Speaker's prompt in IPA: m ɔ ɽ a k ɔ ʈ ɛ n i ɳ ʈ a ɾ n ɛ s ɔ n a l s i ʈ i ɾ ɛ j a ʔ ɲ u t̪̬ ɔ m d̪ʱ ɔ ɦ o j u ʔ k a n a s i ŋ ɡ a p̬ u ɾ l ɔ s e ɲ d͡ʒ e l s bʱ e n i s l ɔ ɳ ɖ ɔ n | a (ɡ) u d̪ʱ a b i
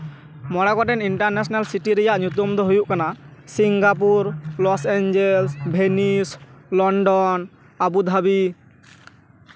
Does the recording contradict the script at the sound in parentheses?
yes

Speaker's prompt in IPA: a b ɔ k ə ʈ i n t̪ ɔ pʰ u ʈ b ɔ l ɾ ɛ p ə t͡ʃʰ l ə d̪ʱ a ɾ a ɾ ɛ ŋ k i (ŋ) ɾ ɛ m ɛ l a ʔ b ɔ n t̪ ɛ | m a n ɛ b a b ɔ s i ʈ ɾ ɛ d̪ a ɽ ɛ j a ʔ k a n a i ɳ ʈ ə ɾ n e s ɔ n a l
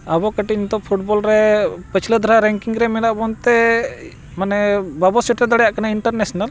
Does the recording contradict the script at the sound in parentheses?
no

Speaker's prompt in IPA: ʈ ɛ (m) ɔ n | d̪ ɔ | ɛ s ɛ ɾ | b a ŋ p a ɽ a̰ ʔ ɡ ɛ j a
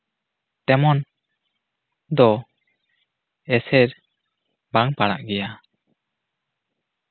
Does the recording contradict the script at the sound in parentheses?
no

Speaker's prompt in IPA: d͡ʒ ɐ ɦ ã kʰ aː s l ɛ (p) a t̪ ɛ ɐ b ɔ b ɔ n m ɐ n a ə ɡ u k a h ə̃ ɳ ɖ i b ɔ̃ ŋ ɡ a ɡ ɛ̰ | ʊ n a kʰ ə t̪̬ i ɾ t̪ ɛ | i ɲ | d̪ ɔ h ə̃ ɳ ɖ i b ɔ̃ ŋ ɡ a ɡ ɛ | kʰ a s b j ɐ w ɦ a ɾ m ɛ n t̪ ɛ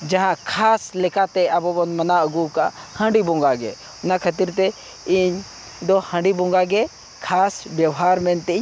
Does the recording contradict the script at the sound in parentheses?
yes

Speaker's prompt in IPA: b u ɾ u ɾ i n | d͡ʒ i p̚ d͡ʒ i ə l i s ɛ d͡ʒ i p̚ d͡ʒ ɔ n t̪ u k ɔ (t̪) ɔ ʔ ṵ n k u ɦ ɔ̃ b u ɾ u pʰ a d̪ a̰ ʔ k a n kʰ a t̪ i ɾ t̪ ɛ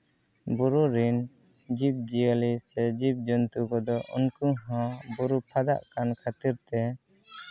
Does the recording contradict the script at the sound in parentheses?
yes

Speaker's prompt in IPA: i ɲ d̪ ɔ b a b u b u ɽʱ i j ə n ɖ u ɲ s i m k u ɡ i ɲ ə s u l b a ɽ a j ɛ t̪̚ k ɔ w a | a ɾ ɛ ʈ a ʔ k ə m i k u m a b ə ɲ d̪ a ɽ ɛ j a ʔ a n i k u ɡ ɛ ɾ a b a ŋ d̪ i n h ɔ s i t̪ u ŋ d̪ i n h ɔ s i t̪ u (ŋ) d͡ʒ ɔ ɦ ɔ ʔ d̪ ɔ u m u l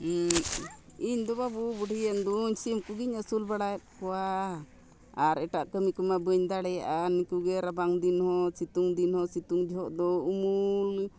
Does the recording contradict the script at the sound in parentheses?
no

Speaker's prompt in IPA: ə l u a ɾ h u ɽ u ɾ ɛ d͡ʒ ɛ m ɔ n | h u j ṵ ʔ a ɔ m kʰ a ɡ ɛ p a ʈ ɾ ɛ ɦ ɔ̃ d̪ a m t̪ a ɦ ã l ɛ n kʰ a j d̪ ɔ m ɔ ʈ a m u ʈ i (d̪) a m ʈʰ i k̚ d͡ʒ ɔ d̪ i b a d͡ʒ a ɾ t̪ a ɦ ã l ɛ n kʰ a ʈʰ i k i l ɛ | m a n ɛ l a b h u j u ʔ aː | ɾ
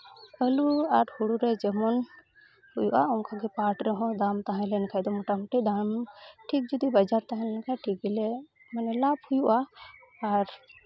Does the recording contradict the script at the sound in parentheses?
no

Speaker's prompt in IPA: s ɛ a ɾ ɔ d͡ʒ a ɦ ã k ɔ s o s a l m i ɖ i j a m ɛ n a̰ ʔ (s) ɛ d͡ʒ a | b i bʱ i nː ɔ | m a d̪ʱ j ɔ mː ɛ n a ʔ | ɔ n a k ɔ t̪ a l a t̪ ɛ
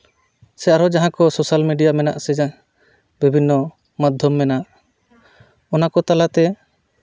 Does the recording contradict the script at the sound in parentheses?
no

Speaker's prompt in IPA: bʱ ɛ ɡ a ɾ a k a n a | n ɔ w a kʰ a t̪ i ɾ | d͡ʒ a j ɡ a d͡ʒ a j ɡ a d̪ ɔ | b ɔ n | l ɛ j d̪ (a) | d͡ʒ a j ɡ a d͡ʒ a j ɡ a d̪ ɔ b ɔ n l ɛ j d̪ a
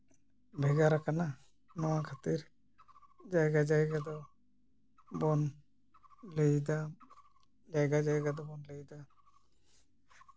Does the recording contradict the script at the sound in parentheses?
no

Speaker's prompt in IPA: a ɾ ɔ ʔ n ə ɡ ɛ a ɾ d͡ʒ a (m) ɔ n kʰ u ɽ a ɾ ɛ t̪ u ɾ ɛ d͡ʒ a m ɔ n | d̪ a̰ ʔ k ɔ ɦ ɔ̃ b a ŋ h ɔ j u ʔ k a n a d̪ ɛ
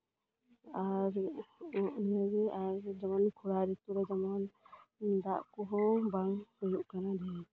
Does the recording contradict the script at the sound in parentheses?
no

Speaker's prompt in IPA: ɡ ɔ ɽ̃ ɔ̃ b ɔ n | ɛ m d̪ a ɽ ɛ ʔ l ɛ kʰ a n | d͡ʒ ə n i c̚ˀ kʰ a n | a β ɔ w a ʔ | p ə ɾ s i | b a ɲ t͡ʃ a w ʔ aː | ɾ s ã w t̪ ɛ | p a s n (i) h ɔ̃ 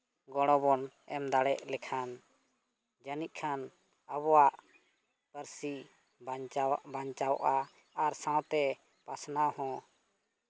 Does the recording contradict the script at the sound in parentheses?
yes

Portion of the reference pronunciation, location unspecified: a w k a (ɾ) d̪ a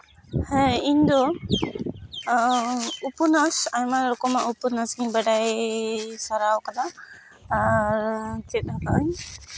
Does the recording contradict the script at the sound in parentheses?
yes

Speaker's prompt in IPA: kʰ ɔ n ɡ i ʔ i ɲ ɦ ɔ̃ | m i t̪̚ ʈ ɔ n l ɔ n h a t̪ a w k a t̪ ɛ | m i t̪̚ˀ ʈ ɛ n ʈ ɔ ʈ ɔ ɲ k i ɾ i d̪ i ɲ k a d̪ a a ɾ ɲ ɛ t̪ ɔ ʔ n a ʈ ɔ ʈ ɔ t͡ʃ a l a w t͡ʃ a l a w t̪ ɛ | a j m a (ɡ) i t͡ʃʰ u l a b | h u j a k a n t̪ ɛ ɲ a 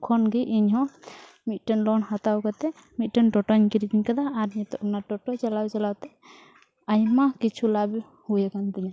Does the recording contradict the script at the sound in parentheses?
yes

